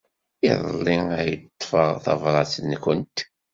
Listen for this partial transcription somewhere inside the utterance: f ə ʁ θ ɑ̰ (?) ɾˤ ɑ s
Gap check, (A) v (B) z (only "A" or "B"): A